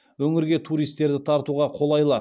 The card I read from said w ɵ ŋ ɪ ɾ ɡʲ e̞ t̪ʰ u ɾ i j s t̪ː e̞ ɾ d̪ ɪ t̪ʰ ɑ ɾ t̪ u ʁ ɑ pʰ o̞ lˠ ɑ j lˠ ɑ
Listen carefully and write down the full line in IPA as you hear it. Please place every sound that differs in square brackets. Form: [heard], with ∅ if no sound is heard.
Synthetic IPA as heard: w ɵ ŋ ɪ ɾ ɡʲ e̞ t̪ʰ u ɾ i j s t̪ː e̞ ɾ d̪ ɪ t̪ʰ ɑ ɾ t̪ u ʁ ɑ [qʰ] o̞ lˠ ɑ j lˠ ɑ